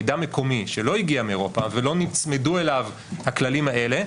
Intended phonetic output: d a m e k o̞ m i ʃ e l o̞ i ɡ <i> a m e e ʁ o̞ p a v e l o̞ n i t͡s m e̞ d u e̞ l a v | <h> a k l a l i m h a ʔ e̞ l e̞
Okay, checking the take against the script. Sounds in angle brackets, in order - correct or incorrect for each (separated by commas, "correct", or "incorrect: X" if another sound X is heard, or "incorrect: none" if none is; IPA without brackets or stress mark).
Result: correct, correct